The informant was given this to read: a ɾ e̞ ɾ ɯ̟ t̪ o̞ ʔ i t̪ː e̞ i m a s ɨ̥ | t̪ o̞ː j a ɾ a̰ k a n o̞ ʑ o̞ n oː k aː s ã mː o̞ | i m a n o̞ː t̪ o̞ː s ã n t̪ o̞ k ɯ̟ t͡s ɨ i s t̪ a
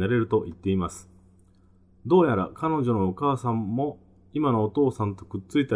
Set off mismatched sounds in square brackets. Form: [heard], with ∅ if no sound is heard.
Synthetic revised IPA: a ɾ e̞ ɾ ɯ̟ t̪ o̞ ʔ i t̪ː e̞ i m a s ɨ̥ | [d̪] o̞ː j a ɾ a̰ k a n o̞ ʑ o̞ n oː k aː s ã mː o̞ | i m a n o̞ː t̪ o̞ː s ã n t̪ o̞ k ɯ̟ t͡s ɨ i [∅] t̪ a